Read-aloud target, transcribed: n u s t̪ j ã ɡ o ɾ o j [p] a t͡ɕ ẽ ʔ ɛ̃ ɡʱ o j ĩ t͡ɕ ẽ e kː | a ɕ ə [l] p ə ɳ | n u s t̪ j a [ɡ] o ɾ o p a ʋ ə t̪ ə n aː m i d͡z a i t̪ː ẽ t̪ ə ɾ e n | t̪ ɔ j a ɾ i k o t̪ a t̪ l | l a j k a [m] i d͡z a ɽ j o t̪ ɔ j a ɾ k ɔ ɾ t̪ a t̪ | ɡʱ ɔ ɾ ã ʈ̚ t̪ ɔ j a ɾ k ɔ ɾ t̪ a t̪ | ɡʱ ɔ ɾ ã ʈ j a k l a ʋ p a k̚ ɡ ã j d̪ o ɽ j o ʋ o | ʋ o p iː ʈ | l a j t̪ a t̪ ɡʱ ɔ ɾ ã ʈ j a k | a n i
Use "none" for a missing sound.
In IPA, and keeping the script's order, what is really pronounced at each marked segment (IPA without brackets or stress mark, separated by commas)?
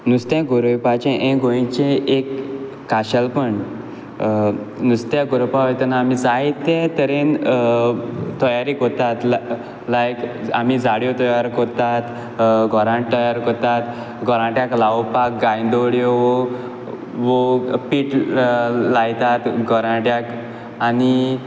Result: p, l, ɡ, m